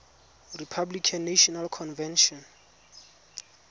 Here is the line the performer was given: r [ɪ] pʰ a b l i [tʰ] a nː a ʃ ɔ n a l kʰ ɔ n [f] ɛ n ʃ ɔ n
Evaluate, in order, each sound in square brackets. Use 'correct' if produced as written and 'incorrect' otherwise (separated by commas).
incorrect, incorrect, incorrect